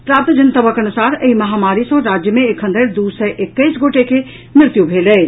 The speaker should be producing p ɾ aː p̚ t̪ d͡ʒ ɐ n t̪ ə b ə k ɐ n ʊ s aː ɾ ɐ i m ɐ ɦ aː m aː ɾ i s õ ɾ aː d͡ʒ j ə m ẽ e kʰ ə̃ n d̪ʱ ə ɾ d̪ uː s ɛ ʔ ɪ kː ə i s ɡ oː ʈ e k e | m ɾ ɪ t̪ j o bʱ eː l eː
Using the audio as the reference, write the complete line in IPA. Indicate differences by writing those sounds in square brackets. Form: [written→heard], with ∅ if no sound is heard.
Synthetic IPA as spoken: p ɾ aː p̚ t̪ d͡ʒ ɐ n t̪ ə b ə k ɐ n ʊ s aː ɾ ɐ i m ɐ ɦ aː m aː ɾ i s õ ɾ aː d͡ʒ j ə m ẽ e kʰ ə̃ n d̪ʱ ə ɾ d̪ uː s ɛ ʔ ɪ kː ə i s ɡ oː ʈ e k e | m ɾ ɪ t̪ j [o→u] bʱ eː l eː